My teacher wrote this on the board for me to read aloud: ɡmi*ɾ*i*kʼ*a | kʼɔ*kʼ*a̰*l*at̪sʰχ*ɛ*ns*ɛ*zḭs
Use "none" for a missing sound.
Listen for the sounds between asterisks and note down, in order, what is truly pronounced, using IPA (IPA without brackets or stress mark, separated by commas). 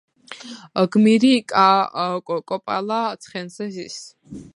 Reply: ɾ, kʼ, pʼ, l, ɛ, ɛ